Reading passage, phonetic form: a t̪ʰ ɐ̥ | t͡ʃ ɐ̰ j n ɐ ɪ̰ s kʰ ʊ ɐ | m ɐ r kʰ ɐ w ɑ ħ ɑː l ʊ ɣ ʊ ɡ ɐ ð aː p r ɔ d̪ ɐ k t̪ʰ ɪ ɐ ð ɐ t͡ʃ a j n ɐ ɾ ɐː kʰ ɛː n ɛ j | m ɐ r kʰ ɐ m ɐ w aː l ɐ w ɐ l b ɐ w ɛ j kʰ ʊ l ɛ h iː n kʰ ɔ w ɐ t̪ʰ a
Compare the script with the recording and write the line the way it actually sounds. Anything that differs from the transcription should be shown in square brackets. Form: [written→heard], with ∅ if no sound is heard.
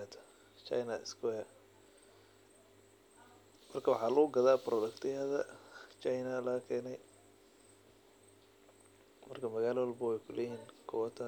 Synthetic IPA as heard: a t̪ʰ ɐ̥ | t͡ʃ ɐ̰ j n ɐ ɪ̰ s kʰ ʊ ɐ | m ɐ r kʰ ɐ w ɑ ħ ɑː l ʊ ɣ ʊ ɡ ɐ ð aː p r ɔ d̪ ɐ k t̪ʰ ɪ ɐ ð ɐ t͡ʃ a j n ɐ [ɾ→l] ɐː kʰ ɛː n ɛ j | m ɐ r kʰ ɐ m ɐ [w→ɣ] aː l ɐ w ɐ l b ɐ w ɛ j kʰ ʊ l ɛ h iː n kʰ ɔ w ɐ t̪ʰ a